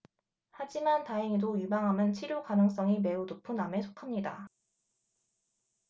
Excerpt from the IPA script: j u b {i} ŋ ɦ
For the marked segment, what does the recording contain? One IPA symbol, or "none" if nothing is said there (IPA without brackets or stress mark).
a